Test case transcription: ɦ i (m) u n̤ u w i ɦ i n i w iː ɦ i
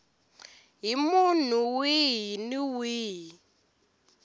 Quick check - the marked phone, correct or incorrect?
correct